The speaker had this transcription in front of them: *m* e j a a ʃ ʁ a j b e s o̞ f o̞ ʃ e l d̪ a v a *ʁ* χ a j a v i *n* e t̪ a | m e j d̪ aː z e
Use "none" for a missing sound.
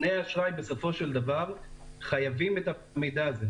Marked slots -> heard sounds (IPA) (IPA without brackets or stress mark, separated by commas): n, ʁ, m